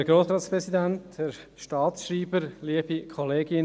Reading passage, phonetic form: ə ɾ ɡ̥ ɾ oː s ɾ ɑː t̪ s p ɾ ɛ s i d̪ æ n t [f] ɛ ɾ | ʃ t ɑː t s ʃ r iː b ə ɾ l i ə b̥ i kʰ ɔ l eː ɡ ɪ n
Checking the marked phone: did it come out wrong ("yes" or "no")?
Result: yes